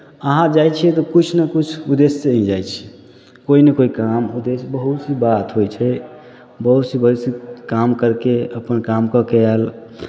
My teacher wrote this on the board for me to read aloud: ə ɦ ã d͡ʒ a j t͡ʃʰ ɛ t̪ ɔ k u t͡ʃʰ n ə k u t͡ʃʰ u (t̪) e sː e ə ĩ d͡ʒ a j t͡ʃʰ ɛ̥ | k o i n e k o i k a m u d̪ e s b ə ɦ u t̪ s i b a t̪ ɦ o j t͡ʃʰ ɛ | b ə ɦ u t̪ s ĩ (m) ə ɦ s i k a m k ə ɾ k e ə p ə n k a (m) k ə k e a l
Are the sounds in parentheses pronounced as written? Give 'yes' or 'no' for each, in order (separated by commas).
no, no, yes